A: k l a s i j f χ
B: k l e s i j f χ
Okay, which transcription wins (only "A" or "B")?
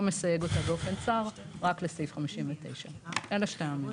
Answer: B